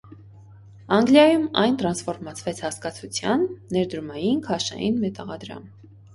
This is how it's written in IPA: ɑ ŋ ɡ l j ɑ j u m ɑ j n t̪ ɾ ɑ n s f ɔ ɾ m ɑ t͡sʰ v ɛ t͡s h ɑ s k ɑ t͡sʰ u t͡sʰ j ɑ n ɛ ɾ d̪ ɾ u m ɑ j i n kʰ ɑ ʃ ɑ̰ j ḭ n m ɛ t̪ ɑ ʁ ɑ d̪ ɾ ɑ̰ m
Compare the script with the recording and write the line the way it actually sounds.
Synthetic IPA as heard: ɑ ŋ ɡ l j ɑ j u m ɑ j n t̪ ɾ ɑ n s f ɔ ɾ m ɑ t͡sʰ v ɛ t͡sʰ h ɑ s k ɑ t͡sʰ u t͡sʰ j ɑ nː ɛ ɾ d̪ ɾ u m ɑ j i n kʰ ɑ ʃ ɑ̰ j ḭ n m ɛ t̪ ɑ ʁ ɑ d̪ ɾ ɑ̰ m

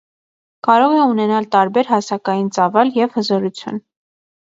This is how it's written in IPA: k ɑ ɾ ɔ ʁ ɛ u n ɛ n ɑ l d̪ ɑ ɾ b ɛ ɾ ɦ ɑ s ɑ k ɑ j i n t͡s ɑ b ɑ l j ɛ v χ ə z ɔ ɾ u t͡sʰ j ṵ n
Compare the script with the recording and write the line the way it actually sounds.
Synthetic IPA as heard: k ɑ ɾ ɔ ʁ ɛ u n ɛ n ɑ l t̪ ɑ ɾ b ɛ ɾ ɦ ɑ s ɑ k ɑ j i n t͡s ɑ v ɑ l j ɛ v h ə z ɔ ɾ u t͡sʰ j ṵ n

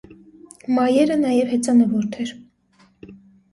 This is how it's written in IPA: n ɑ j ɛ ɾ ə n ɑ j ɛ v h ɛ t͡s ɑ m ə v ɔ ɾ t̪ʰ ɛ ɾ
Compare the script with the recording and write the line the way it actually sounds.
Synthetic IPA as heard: m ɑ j ɛ ɾ ə n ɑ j ɛ v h ɛ t͡s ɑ n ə v ɔ ɾ t̪ʰ ɛ ɾ

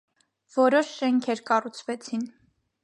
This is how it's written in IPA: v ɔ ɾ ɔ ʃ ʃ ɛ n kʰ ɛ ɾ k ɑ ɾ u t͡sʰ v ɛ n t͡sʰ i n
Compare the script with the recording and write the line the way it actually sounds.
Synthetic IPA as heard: v ɔ ɾ ɔ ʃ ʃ ɛ ŋ kʰ ɛ ɾ k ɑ r u t͡sʰ v ɛ t͡sʰ i n

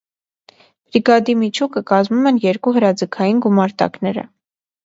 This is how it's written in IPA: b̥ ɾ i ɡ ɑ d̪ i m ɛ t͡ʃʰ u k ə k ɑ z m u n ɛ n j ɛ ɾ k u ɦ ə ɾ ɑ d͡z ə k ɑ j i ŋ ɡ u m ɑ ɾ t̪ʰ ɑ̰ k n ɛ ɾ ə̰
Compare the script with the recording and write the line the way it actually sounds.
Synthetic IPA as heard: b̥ ɾ i ɡ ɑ d̪ i m i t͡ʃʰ u k ə k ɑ z m u m ɛ n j ɛ ɾ k u ɦ ə ɾ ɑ d͡z ə kʰ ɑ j i n ɡ u m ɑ ɾ t̪ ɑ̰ k n ɛ ɾ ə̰

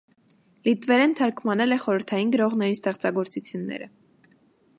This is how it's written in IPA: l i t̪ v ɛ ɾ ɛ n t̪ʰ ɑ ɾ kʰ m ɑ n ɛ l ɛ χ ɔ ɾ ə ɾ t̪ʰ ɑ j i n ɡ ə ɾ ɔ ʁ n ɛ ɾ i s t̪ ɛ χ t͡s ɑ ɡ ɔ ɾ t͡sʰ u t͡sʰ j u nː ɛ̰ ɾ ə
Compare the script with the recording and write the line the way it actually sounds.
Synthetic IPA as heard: l i t̪ v ɛ ɾ ɛ n t̪ʰ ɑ ɾ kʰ m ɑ n ɛ l ɛ χ ɔ ɾ ə ɾ t̪ʰ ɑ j i n ɡ ə ɾ ɔ ʁ n ɛ ɾ i s t̪ ɛ χ t͡s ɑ ɡ ɔ ɾ t͡s u t͡sʰ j u nː ɛ̰ ɾ ə

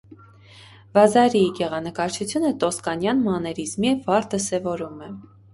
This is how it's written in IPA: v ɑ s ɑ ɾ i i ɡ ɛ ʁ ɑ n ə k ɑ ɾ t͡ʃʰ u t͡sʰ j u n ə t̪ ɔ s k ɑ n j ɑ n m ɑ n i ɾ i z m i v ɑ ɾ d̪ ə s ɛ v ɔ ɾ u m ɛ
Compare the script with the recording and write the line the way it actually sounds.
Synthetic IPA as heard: v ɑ z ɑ ɾ i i ɡ ɛ ʁ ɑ n ə k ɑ ɾ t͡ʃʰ u t͡sʰ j u n ə t̪ ɔ s k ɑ n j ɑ n m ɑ n ɛ ɾ i z m i v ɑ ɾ d̪ ə s ɛ v ɔ ɾ u m ɛ

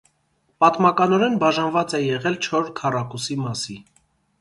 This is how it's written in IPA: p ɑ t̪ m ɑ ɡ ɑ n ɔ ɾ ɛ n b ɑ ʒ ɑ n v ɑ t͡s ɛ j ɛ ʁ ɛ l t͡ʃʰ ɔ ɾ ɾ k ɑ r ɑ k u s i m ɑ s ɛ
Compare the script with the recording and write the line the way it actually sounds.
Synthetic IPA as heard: p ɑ t̪ m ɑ k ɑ n ɔ ɾ ɛ n b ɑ ʒ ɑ n v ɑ t͡s ɛ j ɛ ʁ ɛ l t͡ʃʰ ɔ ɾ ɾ kʰ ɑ r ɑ k u s i m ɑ s i

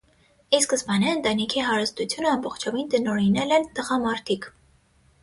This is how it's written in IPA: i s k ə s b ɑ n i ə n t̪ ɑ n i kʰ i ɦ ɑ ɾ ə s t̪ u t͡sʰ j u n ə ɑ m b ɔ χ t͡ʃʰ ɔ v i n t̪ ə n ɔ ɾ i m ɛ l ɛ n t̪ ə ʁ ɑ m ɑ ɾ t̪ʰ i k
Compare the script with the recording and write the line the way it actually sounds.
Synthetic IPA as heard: i s k ə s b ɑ n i ə n t̪ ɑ n i kʰ i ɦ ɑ ɾ ə s t̪ u t͡sʰ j u n ə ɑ m b ɔ χ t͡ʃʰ ɔ v i n t̪ ə n ɔ ɾ i n ɛ l ɛ n t̪ ə ʁ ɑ m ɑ ɾ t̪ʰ i k

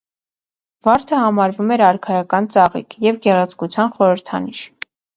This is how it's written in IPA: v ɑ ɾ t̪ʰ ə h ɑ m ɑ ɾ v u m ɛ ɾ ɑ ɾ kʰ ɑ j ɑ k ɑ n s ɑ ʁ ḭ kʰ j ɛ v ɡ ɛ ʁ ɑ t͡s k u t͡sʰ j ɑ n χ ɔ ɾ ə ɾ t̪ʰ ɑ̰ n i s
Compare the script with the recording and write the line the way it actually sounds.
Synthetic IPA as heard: v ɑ ɾ t̪ʰ ə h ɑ m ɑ ɾ v u m ɛ ɾ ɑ ɾ kʰ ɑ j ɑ k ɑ n t͡s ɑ ʁ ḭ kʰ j ɛ v ɡ ɛ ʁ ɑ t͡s k u t͡sʰ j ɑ n χ ɔ ɾ ə ɾ t̪ʰ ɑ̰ n i ʃ

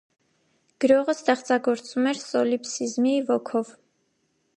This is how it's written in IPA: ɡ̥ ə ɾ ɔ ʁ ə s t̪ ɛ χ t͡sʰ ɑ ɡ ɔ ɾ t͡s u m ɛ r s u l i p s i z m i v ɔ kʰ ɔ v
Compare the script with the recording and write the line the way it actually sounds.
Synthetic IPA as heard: ɡ̥ ə ɾ ɔ ʁ ə s t̪ ɛ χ t͡s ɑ ɡ ɔ ɾ t͡s u m ɛ ɾ s ɔ l i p s i z m i v ɔ kʰ ɔ v

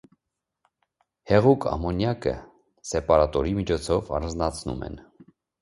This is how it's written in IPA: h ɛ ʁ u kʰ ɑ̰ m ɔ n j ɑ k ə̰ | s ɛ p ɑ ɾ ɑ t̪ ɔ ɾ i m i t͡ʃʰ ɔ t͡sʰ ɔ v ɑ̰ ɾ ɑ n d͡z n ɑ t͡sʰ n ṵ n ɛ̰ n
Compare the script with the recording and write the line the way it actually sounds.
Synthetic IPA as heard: h ɛ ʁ u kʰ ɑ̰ m ɔ n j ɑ k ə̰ | s ɛ p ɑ ɾ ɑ t̪ ɔ ɾ i m i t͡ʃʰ ɔ t͡sʰ ɔ v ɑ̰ ɾ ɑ n d͡z n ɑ t͡sʰ n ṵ m ɛ̰ n

